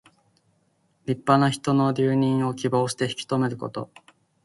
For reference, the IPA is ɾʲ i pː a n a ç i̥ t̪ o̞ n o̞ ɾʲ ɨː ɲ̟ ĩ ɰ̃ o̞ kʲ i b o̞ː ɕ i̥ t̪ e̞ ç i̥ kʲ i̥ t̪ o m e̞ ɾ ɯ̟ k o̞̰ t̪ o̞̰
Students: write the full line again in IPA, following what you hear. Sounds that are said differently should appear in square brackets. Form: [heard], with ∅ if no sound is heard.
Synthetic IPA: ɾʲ i pː a n a ç i̥ t̪ o̞ n o̞ ɾʲ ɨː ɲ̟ ĩ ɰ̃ o̞ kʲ i b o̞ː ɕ i̥ t̪ e̞ ç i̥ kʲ i̥ t̪ o m e̞ ɾ ɯ̟ k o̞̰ t̪ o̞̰